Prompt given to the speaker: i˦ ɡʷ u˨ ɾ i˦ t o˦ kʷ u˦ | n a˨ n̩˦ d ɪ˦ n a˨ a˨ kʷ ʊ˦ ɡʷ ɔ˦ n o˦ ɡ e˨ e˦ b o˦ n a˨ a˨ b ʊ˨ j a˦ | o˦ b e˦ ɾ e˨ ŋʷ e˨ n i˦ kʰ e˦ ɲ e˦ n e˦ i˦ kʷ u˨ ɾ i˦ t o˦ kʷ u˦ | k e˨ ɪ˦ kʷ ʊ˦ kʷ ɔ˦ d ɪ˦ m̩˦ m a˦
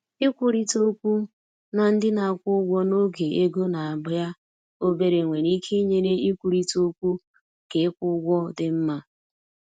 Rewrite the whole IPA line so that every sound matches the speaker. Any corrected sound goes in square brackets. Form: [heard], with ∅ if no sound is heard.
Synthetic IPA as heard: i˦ [kʷ] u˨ ɾ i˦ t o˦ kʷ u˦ | n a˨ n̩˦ d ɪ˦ n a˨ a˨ kʷ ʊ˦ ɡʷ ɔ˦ n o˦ ɡ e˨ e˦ [ɡ] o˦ n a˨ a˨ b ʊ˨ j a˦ | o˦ b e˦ ɾ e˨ ŋʷ e˨ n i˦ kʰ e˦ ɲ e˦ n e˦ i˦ kʷ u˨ ɾ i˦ t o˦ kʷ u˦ | k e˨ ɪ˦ kʷ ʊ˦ [ɡʷ] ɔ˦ d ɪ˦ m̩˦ m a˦